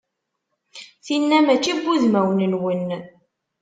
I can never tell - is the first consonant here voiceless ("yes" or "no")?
yes